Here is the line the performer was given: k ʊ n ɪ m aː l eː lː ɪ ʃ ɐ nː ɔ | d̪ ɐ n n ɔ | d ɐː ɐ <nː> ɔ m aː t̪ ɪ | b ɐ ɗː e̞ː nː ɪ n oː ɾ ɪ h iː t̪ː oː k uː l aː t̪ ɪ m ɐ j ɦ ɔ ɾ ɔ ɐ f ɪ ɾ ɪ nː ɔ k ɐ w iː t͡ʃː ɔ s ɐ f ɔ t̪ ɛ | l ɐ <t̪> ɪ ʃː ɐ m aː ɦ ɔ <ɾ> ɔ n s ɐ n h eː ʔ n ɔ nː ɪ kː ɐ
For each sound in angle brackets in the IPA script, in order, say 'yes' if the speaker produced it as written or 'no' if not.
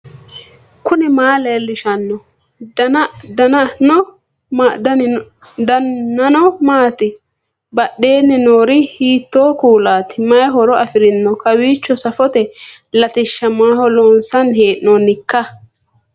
no, yes, no

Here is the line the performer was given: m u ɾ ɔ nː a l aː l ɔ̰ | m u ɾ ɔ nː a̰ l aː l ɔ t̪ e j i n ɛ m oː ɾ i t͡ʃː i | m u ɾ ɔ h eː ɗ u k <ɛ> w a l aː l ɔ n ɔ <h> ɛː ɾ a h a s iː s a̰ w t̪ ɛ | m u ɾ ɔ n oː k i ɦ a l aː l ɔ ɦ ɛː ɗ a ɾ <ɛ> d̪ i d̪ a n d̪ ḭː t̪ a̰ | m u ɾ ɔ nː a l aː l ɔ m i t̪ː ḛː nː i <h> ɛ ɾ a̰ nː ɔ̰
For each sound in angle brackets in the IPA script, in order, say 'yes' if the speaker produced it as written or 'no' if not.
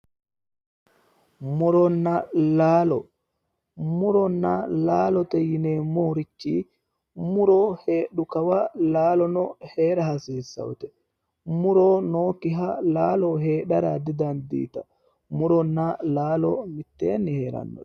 no, yes, no, yes

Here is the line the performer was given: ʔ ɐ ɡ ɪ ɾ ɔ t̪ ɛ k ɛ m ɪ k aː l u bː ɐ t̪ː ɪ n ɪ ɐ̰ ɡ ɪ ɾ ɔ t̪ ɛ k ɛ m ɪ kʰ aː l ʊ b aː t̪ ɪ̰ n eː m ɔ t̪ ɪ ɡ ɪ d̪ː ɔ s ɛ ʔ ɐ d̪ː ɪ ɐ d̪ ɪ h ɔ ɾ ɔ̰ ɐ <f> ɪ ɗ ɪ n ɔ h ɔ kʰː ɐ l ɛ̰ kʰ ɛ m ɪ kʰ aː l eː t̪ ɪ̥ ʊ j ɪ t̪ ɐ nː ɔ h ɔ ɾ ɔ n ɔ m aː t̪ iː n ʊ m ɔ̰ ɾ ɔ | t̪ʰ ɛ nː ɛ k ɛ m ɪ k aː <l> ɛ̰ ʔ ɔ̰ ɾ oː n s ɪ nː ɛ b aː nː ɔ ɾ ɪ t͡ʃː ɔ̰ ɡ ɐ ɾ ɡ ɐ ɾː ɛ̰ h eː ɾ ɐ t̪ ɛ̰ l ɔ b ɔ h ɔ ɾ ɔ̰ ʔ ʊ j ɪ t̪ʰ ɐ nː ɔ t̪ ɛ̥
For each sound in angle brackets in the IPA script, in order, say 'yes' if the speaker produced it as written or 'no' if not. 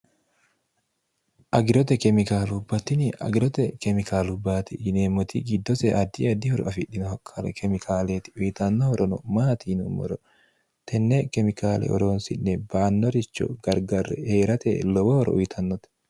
yes, yes

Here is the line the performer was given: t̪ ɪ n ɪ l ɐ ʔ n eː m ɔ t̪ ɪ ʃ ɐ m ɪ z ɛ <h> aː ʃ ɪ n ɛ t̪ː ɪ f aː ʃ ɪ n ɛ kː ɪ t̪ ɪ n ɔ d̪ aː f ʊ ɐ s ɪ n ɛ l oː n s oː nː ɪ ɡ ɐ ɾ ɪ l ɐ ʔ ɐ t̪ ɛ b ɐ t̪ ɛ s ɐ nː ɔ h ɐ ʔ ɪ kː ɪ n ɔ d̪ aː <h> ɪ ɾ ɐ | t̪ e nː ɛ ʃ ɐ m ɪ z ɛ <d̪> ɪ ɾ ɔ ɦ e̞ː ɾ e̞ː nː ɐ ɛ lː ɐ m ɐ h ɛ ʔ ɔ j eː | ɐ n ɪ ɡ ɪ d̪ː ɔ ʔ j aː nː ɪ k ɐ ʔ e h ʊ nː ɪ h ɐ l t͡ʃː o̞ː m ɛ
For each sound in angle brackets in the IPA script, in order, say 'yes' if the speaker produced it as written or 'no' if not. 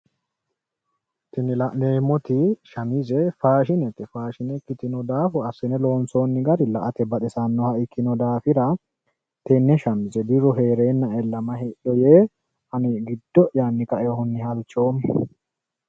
no, no, yes

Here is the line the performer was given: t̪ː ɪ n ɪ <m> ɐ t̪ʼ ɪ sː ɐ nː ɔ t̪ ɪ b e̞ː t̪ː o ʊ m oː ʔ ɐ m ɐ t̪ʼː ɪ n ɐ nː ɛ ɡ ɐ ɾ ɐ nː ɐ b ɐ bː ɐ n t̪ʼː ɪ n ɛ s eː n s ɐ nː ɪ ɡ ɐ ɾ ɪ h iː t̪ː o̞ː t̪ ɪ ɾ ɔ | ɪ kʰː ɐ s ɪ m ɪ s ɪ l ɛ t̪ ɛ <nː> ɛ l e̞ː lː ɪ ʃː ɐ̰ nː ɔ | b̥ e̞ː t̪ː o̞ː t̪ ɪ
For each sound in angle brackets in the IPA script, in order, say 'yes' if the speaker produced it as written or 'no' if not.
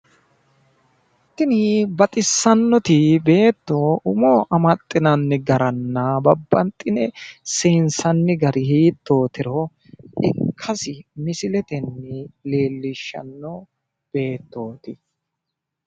no, yes

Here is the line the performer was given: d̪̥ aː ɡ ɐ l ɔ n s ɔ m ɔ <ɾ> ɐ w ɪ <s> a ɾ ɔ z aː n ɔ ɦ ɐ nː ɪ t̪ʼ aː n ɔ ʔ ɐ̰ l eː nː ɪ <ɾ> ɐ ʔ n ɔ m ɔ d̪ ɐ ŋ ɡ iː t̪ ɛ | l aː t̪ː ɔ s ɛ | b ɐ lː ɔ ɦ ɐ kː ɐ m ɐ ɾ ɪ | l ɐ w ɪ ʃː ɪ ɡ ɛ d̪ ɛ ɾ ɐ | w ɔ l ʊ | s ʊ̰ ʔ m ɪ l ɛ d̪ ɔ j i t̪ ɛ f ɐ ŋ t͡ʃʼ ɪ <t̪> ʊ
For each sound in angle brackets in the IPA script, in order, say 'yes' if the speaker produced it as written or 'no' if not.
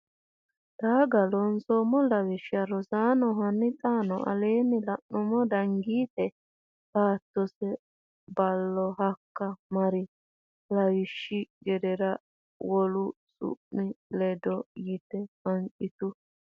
no, no, no, yes

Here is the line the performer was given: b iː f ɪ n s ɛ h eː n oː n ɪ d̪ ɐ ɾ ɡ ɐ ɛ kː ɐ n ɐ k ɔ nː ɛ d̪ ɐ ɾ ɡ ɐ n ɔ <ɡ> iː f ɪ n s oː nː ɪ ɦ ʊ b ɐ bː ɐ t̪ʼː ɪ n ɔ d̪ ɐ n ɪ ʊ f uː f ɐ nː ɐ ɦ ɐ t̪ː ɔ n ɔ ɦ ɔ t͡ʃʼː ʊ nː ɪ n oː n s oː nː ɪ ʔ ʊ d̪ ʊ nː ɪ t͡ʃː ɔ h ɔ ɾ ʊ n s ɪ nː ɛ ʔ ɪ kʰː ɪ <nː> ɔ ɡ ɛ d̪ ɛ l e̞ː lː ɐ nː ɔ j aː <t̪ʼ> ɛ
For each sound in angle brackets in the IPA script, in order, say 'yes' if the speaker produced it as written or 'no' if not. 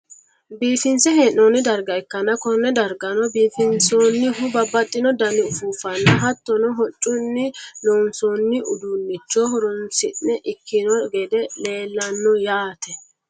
no, no, no

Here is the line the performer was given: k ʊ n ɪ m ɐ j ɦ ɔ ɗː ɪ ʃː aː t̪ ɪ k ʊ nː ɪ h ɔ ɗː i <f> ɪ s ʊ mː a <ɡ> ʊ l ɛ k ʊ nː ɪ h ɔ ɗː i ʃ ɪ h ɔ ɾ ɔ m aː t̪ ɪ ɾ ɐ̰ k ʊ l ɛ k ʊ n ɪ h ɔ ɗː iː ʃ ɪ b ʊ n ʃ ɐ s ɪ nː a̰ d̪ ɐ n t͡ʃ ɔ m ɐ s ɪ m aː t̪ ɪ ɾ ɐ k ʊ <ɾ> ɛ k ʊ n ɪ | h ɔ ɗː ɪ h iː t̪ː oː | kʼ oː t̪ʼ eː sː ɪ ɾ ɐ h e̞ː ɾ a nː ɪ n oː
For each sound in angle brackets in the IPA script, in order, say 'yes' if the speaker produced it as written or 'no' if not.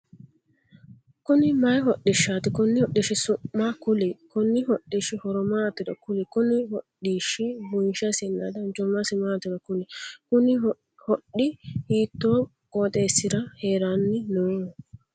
no, no, no

